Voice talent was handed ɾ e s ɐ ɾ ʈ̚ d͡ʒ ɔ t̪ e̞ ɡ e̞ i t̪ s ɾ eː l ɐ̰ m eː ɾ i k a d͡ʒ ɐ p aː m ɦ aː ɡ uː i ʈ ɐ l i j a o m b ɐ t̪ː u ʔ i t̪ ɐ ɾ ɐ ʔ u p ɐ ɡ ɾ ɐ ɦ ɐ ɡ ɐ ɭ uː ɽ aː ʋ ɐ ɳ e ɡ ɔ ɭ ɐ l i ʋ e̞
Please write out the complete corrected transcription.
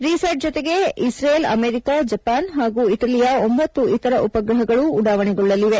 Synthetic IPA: ɾ i s ɐ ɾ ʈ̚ d͡ʒ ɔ t̪ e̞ ɡ e̞ i s ɾ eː l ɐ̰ m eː ɾ i k a d͡ʒ ɐ p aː n ɦ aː ɡ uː i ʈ ɐ l i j a o m b ɐ t̪ː u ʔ i t̪ ɐ ɾ ɐ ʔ u p ɐ ɡ ɾ ɐ ɦ ɐ ɡ ɐ ɭ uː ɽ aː ʋ ɐ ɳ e ɡ ɔ ɭː ɐ l i ʋ e̞

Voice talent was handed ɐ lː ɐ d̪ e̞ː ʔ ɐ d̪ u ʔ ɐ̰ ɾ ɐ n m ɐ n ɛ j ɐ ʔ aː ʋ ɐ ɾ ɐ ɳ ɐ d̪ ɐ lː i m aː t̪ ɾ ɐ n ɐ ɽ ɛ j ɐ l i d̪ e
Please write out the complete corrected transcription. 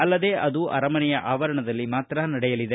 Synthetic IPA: ɐ lː ɐ d̪ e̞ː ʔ ɐ d̪ u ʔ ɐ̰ ɾ ɐ m ɐ n ɛ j ɐ ʔ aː ʋ ɐ ɾ ɐ ɳ ɐ d̪ ɐ lː i m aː t̪ ɾ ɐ n ɐ ɽ ɛ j ɐ l i d̪ e

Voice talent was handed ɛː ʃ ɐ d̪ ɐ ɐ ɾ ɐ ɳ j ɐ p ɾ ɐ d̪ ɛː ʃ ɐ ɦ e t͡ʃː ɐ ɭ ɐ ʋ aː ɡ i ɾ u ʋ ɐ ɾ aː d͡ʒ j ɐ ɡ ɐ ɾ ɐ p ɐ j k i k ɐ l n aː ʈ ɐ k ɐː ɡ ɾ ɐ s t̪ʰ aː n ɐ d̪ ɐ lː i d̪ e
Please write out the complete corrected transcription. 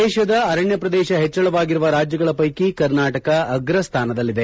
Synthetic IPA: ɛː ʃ ɐ d̪ ɐ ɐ ɾ ɐ ɳ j ɐ p ɾ ɐ d̪ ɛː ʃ ɐ ɦ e t͡ʃː ɐ ɭ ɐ ʋ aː ɡ i ɾ u ʋ ɐ ɾ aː d͡ʒ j ɐ ɡ ɐ ɭ ɐ p ɐ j k i k ɐ ɾ n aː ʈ ɐ k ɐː ɡ ɾ ɐ s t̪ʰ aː n ɐ d̪ ɐ lː i d̪ e

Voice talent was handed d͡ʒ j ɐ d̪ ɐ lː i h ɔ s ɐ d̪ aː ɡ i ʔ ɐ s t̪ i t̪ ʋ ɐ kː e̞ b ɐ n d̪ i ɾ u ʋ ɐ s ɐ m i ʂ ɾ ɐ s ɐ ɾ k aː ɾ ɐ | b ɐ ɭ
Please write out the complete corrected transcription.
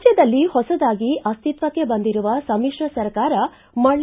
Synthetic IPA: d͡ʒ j ɐ d̪ ɐ lː i h ɔ s ɐ d̪ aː ɡ i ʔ ɐ s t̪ i t̪ ʋ ɐ kː e̞ b ɐ n d̪ i ɾ u ʋ ɐ s ɐ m i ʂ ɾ ɐ s ɐ ɾ k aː ɾ ɐ | m ɐ ɭ

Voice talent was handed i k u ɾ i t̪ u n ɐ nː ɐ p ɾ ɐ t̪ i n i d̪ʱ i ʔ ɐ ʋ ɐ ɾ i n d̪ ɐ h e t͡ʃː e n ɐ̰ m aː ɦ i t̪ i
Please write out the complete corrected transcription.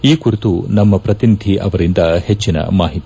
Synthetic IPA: iː k u ɾ i t̪ u n ɐ mː ɐ p ɾ ɐ t̪ i n i d̪ʱ i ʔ ɐ ʋ ɐ ɾ i n d̪ ɐ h e t͡ʃː i n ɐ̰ m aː ɦ i t̪ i

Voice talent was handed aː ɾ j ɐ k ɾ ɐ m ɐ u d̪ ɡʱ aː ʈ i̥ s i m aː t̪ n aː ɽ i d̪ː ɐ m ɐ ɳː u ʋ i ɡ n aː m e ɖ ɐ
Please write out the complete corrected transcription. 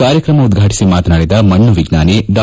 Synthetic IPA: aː ɾ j ɐ k ɾ ɐ m ɐ u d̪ ɡʱ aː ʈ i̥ s i m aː t̪ n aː ɽ i d̪ ɐ m ɐ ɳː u ʋ i ɡ n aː n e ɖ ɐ

